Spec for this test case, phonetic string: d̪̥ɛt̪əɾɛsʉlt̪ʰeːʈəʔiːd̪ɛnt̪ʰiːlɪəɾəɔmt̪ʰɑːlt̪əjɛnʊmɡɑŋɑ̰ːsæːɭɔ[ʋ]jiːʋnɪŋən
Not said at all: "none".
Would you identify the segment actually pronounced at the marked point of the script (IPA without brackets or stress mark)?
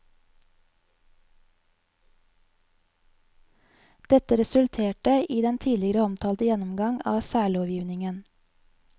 ʋ